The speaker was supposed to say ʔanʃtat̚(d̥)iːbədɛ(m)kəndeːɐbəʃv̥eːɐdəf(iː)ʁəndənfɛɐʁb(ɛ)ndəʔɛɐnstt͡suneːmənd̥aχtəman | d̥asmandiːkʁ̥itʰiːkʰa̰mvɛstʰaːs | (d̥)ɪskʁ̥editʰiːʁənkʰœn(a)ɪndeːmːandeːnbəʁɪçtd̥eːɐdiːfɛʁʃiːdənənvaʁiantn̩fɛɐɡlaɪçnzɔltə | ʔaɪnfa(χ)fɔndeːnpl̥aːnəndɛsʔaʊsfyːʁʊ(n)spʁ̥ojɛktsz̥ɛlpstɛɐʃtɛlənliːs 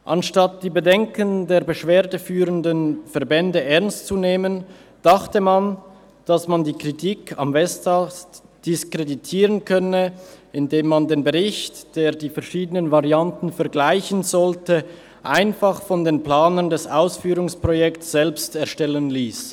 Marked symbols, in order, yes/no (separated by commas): yes, no, no, yes, yes, no, yes, no